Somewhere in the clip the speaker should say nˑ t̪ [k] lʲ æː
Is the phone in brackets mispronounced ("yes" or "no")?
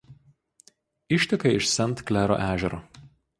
no